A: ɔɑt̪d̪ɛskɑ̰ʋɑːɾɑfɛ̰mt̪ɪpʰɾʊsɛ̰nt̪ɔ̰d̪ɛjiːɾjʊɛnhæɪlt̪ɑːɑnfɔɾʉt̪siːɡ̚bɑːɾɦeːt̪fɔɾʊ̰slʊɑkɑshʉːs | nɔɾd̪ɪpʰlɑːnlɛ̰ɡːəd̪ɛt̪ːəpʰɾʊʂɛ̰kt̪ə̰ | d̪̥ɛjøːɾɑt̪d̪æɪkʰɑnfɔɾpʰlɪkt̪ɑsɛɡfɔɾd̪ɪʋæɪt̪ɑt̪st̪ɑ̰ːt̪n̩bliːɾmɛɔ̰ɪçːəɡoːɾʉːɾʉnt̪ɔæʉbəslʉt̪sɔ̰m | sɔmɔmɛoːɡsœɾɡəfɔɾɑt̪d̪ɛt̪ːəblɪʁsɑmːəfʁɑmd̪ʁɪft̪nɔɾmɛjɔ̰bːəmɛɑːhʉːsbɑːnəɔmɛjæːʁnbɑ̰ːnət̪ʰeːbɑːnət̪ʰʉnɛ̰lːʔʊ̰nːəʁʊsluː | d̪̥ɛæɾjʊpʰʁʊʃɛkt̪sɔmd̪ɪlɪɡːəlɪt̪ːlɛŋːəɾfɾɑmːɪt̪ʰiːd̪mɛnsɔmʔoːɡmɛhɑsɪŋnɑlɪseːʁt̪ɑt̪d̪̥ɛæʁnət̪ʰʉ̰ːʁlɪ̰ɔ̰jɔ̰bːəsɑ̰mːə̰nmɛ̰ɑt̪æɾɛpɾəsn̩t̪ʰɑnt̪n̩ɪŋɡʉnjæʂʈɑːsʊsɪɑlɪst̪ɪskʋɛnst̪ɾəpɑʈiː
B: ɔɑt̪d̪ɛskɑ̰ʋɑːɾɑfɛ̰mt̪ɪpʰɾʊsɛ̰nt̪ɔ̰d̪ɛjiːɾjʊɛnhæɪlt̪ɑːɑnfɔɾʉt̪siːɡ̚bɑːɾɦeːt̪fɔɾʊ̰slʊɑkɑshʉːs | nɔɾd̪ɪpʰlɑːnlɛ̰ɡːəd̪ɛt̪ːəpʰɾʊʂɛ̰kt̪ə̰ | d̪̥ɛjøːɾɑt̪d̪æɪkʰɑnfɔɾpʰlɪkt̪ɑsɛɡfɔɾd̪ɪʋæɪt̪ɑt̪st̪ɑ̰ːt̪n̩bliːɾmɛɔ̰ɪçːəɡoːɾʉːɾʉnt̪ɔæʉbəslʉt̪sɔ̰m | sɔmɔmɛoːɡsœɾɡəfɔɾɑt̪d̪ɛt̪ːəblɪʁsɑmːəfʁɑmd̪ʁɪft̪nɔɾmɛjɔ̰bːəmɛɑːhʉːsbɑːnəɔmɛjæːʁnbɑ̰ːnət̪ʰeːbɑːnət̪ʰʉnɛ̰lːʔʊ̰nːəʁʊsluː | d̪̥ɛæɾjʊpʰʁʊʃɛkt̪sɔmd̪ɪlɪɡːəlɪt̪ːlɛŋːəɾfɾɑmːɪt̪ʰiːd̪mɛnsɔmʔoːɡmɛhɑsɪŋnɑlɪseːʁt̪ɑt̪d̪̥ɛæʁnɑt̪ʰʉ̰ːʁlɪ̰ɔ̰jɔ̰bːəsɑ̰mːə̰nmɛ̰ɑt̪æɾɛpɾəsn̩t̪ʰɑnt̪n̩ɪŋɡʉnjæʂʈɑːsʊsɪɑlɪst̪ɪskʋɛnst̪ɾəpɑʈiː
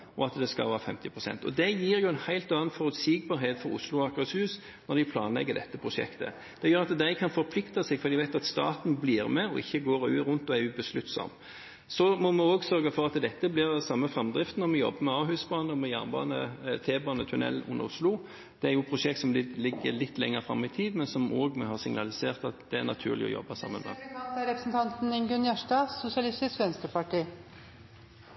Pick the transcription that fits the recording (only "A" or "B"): B